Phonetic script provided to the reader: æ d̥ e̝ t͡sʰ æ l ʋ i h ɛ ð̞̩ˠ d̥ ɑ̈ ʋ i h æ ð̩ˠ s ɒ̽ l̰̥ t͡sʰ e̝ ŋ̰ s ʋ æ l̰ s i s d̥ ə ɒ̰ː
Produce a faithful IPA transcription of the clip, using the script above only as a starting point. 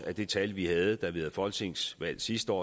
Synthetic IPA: æ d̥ e̝ t͡sʰ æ l ʋ i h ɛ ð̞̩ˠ d̥ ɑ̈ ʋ i h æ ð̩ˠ f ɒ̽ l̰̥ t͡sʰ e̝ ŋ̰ s ʋ æ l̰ s i s d̥ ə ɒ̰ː